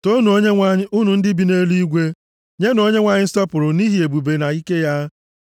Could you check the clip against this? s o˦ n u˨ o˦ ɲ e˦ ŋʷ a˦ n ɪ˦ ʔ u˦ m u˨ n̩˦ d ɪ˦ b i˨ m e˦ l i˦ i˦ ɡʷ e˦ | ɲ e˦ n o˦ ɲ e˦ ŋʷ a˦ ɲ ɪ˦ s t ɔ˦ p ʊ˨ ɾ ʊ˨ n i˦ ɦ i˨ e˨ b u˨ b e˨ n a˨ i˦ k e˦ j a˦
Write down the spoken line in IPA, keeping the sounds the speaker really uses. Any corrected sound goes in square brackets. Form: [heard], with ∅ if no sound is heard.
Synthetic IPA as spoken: [t] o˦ n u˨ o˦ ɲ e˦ ŋʷ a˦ [ɲ] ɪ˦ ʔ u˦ [n] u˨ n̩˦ d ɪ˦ b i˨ [n] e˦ l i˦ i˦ ɡʷ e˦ | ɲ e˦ n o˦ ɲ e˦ ŋʷ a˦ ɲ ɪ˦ s t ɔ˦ p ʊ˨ ɾ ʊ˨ n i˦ ɦ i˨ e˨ b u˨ b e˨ n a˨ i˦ k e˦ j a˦